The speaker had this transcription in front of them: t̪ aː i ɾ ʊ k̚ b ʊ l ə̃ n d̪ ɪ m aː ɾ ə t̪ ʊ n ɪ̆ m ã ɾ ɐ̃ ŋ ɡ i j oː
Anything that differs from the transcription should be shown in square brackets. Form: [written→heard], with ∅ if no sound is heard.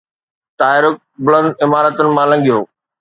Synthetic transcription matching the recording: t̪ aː [i→ɪ] ɾ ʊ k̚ b ʊ l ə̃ n d̪ ɪ m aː ɾ ə t̪ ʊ n ɪ̆ m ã [ɾ→l] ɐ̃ ŋ ɡ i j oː